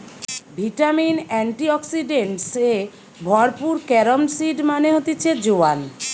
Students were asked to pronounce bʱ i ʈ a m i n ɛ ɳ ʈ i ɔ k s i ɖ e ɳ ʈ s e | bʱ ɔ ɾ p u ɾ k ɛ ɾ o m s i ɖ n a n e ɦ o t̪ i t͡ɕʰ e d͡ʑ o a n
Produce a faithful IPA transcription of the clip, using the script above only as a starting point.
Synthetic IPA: bʱ i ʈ a m i n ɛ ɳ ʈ i ɔ k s i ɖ e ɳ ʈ s e | bʱ ɔ ɾ p u ɾ k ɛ ɾ o m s i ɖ m a n e ɦ o t̪ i t͡ɕʰ e d͡ʑ o a n